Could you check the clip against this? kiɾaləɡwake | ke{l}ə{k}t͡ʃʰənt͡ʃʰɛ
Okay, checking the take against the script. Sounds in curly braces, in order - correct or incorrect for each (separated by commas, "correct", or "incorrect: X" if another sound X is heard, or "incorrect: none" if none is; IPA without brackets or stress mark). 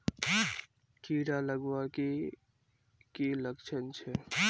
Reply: correct, correct